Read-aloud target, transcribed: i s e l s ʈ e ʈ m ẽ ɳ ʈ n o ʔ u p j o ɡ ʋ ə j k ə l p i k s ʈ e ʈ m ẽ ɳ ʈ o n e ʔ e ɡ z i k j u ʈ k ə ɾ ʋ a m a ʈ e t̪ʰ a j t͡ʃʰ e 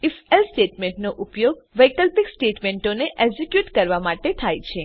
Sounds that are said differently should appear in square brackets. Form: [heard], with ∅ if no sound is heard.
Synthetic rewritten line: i [f] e l s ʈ e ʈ m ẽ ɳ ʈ n o ʔ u p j o ɡ ʋ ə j k ə l p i k s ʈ e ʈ m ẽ ɳ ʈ o n e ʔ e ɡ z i k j u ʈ k ə ɾ ʋ a m a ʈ e t̪ʰ a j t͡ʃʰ e